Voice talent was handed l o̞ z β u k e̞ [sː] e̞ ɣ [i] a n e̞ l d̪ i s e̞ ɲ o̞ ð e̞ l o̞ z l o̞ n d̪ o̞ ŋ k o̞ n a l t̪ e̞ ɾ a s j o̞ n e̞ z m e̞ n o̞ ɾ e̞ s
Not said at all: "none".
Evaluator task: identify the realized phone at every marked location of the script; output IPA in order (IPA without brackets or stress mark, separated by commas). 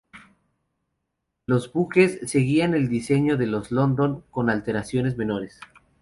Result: sː, i